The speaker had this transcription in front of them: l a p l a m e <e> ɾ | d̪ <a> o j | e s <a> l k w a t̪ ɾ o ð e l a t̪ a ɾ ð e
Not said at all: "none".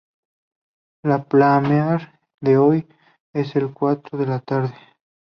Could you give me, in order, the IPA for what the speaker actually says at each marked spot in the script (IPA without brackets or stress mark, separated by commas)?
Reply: a, e, e